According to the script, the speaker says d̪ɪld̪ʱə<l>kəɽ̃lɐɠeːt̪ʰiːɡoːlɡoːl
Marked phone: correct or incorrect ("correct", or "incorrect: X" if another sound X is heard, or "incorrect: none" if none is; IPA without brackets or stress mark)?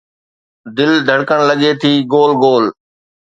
incorrect: ɽ